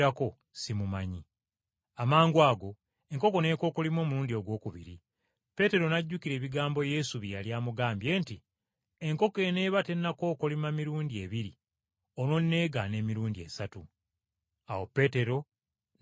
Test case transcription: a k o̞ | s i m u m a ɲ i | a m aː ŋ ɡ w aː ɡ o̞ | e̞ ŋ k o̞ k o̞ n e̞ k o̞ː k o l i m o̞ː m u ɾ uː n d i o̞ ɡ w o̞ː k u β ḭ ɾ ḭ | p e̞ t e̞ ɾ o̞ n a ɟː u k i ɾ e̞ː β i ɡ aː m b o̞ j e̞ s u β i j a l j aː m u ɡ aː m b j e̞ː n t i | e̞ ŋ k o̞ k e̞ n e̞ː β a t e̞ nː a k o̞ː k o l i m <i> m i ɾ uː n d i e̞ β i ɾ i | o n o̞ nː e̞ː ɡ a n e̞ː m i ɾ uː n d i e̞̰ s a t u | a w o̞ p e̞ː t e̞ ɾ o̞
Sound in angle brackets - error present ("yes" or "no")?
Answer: yes